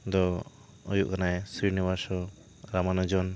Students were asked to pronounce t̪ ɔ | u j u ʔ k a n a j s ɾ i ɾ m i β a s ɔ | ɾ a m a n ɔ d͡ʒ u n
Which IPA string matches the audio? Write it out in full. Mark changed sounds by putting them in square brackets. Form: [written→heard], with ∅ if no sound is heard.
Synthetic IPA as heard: [t̪→d̪] ɔ | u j u ʔ k a n a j s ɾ i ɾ [m→n] i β a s ɔ | ɾ a m a n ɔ d͡ʒ [u→ɔ] n